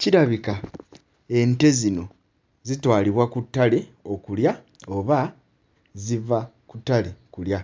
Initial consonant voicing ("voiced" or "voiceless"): voiceless